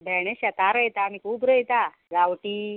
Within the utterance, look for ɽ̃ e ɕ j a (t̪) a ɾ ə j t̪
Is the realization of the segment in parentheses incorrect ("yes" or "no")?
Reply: no